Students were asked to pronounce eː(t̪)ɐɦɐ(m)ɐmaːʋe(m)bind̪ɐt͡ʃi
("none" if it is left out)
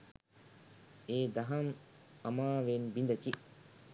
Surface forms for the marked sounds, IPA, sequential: d̪, m, n

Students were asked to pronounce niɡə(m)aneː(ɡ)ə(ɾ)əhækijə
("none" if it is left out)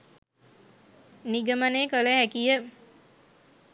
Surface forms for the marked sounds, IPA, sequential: m, k, l

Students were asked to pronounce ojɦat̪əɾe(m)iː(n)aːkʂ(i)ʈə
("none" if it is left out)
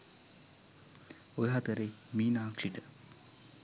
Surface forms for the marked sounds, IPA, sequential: m, n, i

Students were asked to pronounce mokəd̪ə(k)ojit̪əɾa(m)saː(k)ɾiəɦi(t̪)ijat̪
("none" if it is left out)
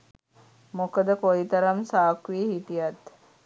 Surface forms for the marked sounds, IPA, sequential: k, m, k, t̪

